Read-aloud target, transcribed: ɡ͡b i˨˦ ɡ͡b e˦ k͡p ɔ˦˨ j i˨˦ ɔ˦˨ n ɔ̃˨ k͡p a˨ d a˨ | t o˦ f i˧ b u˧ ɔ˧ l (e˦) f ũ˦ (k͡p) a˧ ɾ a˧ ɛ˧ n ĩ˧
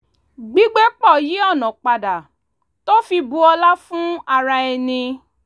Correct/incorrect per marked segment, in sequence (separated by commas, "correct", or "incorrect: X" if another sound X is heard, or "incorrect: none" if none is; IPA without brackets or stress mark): incorrect: a˦, incorrect: none